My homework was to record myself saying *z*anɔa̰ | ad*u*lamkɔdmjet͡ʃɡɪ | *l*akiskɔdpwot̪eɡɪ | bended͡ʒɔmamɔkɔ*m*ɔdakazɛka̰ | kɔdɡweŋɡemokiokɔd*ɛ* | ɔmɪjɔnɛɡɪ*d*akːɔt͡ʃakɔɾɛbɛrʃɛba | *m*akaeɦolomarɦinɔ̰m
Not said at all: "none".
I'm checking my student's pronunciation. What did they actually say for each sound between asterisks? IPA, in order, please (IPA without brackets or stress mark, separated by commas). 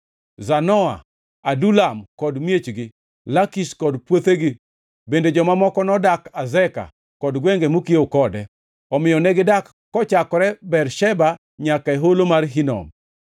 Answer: z, u, l, n, ɛ, d, ɲ